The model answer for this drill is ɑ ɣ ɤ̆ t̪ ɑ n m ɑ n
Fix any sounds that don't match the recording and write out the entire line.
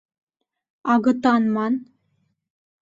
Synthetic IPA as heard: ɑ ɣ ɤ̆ t̪ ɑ n m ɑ n